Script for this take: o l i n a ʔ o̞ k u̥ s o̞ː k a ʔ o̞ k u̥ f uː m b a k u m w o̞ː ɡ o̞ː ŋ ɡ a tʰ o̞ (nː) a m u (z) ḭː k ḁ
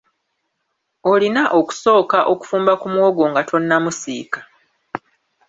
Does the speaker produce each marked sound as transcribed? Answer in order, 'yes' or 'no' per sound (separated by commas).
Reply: yes, no